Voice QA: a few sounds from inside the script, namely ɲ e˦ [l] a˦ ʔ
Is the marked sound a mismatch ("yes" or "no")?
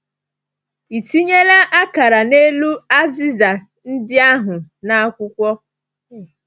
no